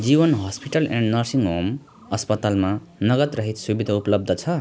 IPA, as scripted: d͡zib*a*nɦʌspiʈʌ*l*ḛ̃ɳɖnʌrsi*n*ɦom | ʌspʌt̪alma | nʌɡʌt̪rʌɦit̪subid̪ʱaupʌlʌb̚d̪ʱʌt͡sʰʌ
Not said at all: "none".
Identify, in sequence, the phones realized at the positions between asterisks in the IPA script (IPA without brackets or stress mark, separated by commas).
ʌ, l, ŋ